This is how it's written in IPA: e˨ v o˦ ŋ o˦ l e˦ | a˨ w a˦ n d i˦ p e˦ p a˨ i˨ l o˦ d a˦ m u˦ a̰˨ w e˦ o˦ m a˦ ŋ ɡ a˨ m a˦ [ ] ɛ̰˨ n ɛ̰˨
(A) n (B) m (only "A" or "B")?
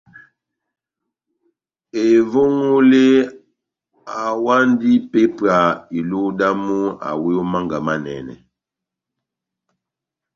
A